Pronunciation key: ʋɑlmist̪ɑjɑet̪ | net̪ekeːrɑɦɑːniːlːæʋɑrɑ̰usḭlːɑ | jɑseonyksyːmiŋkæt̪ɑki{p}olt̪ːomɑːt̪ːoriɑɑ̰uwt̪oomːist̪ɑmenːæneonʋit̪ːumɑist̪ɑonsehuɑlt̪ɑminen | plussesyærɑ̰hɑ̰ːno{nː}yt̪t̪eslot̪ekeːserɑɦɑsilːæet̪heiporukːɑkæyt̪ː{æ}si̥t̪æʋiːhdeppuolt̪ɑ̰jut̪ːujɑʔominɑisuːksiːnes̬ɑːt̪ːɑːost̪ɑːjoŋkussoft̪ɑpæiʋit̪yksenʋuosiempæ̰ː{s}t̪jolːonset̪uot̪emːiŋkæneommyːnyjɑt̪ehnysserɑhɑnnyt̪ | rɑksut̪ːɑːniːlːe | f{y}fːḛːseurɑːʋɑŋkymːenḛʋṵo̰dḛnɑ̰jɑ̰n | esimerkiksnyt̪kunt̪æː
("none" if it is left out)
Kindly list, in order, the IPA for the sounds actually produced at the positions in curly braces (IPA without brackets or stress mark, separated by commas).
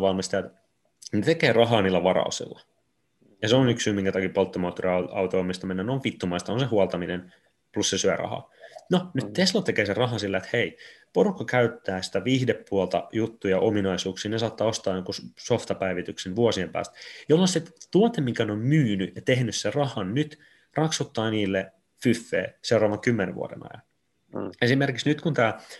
p, n, æː, s, y